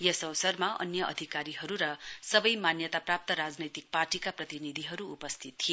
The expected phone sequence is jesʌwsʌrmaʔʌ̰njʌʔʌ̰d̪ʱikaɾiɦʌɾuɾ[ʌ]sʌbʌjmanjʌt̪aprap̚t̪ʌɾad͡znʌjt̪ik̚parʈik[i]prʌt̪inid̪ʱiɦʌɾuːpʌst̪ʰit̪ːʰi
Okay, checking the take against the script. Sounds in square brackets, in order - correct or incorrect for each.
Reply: correct, incorrect: a

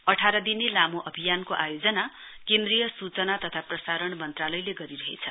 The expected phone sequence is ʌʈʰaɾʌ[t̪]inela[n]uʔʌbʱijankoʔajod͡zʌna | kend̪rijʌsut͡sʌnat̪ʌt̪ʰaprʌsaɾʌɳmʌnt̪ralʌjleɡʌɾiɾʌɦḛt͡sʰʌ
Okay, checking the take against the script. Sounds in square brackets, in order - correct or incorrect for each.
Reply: incorrect: d̪, incorrect: m

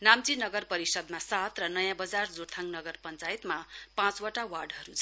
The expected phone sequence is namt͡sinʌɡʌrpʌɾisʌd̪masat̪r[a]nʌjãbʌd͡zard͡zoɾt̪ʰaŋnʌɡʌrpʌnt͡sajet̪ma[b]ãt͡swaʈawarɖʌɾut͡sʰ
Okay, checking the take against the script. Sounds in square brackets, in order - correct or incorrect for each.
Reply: incorrect: ʌ, incorrect: p

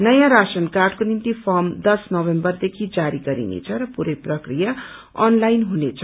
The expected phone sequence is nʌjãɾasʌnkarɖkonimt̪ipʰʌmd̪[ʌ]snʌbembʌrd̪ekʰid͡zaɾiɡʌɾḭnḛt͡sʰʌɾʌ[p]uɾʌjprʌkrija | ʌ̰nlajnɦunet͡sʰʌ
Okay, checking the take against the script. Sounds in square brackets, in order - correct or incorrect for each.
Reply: correct, correct

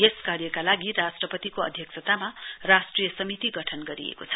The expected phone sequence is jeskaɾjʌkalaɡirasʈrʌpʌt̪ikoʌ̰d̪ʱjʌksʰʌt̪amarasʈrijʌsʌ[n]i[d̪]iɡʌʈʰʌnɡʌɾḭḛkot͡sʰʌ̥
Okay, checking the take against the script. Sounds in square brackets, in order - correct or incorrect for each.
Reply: incorrect: m, incorrect: t̪

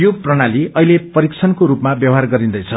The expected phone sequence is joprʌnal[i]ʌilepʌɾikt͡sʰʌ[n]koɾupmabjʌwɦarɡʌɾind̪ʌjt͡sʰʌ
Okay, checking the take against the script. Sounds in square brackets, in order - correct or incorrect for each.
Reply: correct, correct

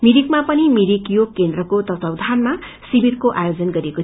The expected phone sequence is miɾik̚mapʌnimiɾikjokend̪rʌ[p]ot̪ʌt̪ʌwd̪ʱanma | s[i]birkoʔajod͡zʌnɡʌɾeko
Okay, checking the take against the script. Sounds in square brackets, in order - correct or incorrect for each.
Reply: incorrect: k, correct

